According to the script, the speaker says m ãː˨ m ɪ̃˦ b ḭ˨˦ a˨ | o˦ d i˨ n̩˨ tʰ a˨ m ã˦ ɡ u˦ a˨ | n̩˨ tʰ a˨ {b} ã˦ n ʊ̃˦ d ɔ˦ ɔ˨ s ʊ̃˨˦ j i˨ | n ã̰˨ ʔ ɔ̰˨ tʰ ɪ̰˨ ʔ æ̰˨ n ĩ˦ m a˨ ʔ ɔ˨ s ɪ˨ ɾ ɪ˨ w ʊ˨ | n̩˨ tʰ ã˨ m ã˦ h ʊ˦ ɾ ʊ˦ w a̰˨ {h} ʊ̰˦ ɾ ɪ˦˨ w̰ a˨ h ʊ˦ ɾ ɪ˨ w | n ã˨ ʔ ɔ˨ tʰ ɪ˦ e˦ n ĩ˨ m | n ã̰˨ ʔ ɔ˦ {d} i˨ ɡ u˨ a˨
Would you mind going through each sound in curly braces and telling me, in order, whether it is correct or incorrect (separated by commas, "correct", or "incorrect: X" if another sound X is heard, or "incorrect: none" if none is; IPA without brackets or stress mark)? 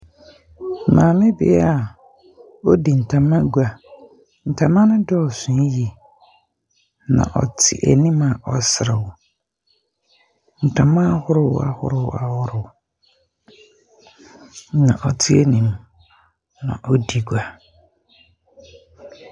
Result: incorrect: m, correct, correct